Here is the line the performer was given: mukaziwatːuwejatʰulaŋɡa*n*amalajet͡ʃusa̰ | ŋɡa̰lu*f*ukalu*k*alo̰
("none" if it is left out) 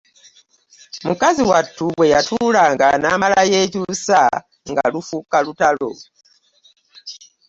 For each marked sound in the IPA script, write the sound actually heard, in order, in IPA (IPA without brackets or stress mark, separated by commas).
n, f, t